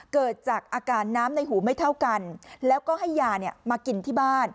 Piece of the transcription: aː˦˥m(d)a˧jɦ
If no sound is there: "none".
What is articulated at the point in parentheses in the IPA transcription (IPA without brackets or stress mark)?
n